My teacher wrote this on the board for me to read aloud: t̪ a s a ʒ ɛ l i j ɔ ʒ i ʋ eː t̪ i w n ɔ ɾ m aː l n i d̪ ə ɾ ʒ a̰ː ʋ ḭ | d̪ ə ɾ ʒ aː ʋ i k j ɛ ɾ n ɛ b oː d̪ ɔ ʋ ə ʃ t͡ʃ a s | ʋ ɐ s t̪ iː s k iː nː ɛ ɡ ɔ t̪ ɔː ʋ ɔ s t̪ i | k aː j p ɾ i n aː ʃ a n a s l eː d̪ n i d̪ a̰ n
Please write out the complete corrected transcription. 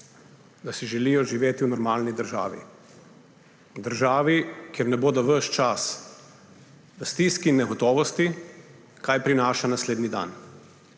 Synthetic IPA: d̪ a s i ʒ ɛ l i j ɔ ʒ i ʋ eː t̪ i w n ɔ ɾ m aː l n i d̪ ə ɾ ʒ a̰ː ʋ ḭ | d̪ ə ɾ ʒ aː ʋ i k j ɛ ɾ n ɛ b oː d̪ ɔ ʋ ə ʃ t͡ʃ a s | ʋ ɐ s t̪ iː s k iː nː ɛ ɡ ɔ t̪ ɔː ʋ ɔ s t̪ i | k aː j p ɾ i n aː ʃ a n a s l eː d̪ n i d̪ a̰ n